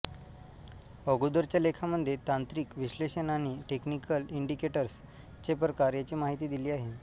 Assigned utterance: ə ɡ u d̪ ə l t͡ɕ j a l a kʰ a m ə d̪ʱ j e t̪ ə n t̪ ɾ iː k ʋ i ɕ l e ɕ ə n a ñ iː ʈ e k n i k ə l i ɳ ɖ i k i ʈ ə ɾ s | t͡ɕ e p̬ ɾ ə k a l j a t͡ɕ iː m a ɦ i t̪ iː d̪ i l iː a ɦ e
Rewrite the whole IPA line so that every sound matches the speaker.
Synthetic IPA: ə ɡ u d̪ ə ɾ t͡ɕ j a l e kʰ a m ə d̪ʱ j e t̪ a n t̪ ɾ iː k ʋ i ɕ l e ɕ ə n a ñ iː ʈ e k n i k ə l i ɳ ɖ i k e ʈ ə ɾ s | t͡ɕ e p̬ ɾ ə k a ɾ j a t͡ɕ iː m a ɦ i t̪ iː d̪ i l iː a ɦ e